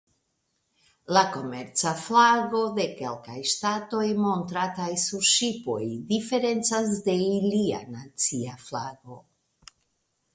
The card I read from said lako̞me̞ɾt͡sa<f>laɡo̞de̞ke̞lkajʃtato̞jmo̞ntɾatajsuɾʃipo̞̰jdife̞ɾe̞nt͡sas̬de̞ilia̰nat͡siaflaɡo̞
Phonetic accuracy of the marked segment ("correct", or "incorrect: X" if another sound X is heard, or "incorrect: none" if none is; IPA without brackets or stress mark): correct